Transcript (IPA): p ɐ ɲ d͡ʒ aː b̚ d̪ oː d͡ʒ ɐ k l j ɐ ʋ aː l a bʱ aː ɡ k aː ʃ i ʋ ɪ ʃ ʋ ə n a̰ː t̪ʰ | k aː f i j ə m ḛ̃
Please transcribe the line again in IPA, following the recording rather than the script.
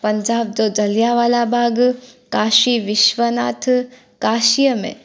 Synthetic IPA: p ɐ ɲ d͡ʒ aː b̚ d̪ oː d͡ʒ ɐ l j a ʋ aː l a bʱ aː ɡ k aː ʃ i ʋ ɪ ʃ ʋ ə n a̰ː t̪ʰ | k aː ʃ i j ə m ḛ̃

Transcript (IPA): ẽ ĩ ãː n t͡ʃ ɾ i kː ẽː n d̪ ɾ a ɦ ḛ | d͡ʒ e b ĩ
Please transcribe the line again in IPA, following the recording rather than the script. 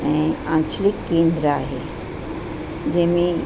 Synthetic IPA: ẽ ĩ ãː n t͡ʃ l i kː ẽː n d̪ ɾ a ɦ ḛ | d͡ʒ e m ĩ

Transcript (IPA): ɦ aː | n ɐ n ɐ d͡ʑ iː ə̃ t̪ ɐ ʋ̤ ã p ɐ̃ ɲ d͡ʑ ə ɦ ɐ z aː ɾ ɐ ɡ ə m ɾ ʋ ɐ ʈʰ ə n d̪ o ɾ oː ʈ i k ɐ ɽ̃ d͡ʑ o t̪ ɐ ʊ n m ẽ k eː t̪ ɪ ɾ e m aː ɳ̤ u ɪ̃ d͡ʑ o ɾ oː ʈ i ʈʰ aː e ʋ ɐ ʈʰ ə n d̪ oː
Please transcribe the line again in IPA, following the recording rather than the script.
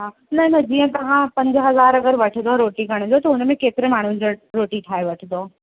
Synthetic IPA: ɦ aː | n ɐ n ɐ d͡ʑ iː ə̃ t̪ ɐ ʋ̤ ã p ɐ̃ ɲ d͡ʑ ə ɦ ɐ z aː ɾ ɐ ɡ ə ɾ ʋ ɐ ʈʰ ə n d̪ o ɾ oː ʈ i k ɐ ɽ̃ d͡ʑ o t̪ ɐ ʊ n m ẽ k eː t̪ ɪ ɾ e m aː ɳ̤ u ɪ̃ d͡ʑ o ɾ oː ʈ i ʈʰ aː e ʋ ɐ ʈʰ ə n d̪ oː

